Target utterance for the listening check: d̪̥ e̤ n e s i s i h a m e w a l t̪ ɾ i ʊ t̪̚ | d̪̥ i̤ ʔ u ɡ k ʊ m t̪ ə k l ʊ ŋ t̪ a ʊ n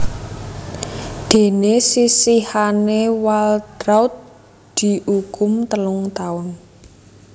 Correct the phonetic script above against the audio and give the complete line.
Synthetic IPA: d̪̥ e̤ n e s i s i h a n e w a l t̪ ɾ a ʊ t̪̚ | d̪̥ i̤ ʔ u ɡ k ʊ m t̪ ə l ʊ ŋ t̪ a ʊ n